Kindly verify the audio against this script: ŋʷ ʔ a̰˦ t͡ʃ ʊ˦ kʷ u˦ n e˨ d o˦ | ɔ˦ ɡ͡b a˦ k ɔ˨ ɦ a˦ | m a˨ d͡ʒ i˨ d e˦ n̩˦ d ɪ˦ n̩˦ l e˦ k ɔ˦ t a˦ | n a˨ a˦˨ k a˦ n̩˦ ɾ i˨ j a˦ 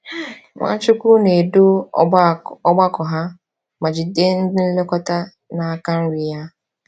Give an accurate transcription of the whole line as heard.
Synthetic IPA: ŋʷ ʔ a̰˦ t͡ʃ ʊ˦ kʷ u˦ n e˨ d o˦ | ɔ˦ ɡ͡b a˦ k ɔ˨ ɦ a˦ | m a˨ d͡ʒ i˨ d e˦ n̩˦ d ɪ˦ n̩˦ l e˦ k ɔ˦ t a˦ | n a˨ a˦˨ k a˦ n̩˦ ɾ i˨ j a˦